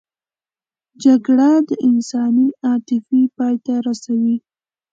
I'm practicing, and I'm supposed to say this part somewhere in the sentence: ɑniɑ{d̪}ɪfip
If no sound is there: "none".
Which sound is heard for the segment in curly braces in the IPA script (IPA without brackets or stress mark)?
t̪